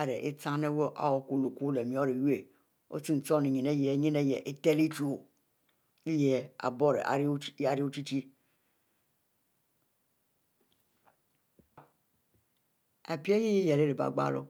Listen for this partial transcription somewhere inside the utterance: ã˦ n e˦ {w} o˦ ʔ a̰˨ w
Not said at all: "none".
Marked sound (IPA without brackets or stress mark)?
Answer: w